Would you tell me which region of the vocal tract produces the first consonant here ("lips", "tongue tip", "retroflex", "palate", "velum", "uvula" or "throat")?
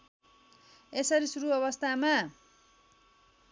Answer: tongue tip